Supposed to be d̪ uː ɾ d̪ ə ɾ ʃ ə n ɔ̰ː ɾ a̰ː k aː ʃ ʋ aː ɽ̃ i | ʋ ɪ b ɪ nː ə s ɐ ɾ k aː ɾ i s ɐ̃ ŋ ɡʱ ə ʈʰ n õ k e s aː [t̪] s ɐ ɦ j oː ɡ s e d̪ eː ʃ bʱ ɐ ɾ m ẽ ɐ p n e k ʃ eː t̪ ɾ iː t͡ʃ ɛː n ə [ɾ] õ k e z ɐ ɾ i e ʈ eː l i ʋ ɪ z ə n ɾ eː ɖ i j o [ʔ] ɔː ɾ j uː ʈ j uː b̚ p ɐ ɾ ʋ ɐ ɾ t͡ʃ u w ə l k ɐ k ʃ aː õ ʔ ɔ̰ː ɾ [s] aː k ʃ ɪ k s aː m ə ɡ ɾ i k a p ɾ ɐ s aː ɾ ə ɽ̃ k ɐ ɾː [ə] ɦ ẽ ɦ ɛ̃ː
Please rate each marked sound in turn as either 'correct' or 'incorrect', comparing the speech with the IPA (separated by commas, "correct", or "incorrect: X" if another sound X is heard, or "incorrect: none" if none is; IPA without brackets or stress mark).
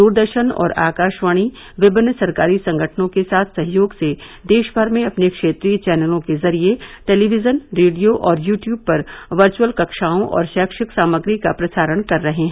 incorrect: t̪ʰ, incorrect: l, correct, incorrect: ʃ, incorrect: ɐ